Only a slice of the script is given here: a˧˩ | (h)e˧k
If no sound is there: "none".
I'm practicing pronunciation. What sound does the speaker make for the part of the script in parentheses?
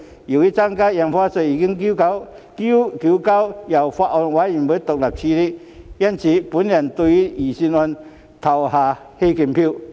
h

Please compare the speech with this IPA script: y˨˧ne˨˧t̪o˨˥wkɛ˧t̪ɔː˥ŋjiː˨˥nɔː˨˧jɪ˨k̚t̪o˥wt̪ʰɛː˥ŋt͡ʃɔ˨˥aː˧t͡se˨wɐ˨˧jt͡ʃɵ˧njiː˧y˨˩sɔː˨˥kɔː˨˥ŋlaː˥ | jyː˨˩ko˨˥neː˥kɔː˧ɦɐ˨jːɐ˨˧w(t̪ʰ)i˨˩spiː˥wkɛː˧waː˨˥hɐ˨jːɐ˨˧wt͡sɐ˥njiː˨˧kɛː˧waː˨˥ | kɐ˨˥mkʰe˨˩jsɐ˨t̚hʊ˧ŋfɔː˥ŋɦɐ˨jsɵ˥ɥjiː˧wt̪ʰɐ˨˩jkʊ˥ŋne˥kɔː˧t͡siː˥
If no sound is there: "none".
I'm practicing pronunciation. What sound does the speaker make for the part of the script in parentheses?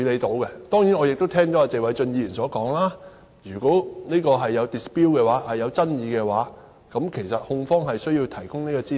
t̪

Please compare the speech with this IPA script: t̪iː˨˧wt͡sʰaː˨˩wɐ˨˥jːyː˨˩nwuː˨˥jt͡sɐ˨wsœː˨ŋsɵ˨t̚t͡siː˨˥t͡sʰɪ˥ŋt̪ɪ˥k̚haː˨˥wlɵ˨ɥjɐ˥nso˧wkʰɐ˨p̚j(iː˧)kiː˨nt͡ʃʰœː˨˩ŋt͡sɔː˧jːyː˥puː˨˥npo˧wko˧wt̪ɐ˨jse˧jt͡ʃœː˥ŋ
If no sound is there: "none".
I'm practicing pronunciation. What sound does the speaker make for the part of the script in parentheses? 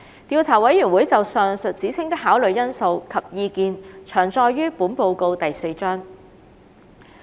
iː˧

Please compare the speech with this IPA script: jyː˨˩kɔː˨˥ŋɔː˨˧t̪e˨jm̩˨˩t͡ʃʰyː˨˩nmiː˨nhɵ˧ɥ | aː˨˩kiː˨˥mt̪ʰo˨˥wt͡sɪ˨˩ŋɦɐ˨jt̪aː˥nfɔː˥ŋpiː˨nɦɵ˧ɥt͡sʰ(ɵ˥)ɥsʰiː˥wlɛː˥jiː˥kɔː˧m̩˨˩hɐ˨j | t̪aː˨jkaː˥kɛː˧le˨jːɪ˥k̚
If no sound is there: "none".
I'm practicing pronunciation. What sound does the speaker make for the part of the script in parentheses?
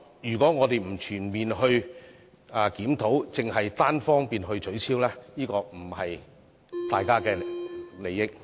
ɵ˨˥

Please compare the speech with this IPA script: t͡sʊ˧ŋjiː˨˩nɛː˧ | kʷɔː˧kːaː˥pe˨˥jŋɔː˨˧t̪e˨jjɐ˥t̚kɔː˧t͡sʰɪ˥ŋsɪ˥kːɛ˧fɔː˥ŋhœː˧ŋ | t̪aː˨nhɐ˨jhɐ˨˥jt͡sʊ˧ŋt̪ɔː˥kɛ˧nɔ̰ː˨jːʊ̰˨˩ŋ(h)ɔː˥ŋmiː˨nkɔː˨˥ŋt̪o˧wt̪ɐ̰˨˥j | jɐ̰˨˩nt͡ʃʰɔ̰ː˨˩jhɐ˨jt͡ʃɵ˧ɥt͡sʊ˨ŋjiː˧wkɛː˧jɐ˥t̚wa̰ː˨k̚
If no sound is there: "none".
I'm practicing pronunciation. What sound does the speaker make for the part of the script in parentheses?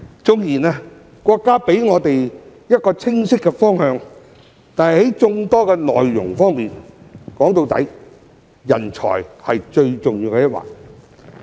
f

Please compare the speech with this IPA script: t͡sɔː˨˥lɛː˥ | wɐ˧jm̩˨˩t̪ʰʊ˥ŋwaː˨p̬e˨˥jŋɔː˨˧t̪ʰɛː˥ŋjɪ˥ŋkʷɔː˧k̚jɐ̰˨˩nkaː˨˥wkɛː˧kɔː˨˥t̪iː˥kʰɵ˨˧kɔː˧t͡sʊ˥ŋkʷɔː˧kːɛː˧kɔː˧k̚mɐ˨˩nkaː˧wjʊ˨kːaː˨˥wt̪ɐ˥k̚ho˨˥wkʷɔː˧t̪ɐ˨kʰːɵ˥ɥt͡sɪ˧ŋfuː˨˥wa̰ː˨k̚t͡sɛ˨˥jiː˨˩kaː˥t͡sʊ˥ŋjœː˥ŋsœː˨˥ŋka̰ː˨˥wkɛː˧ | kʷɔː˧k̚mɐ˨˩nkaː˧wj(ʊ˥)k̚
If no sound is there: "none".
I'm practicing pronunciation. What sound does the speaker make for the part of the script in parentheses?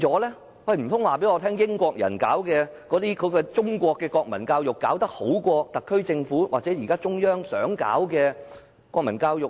ʊ˨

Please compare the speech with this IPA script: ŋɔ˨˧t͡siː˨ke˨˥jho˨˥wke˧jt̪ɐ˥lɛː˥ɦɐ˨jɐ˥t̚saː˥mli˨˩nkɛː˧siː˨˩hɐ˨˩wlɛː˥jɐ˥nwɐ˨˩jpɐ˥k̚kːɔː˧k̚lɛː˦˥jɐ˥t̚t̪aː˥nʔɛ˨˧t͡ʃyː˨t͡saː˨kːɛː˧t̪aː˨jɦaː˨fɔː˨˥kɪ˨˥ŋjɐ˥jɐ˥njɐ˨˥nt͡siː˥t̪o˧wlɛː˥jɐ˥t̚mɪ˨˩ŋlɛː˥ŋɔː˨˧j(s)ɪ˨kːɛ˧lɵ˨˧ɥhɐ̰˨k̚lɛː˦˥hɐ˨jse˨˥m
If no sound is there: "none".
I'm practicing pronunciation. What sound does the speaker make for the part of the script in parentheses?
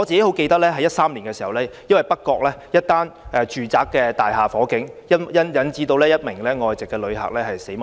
t͡s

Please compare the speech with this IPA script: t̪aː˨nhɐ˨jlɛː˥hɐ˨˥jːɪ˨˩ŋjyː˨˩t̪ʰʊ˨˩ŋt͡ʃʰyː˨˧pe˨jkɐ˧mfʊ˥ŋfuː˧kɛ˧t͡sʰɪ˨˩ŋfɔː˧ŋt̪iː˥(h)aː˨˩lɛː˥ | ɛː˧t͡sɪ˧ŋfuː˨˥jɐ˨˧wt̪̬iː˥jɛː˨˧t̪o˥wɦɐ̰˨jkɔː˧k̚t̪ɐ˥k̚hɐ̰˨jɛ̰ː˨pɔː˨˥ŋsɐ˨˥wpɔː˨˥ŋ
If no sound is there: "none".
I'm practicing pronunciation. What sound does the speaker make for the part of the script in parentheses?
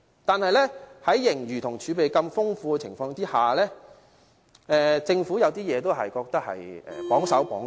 h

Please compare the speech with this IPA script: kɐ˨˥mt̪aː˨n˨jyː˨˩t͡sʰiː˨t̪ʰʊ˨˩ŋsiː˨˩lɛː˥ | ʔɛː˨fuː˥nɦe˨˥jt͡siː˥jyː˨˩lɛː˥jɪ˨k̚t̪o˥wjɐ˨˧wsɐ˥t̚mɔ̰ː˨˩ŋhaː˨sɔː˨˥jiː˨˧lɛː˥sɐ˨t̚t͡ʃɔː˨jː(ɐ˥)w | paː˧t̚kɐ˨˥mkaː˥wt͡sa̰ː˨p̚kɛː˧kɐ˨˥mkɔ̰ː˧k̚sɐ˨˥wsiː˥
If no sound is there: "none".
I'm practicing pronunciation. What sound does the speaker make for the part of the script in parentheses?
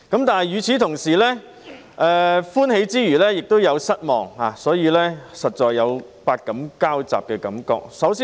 ɐ˨˧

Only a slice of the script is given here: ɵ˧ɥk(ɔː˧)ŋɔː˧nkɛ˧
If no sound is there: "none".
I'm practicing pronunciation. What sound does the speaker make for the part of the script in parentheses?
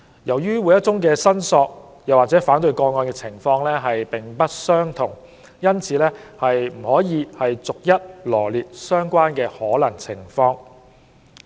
ɔː˧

